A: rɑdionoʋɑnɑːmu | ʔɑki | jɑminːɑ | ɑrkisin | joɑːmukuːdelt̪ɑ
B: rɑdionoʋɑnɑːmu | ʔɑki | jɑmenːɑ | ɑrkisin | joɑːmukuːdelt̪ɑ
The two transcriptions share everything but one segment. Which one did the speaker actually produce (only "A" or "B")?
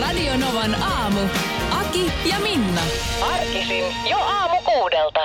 A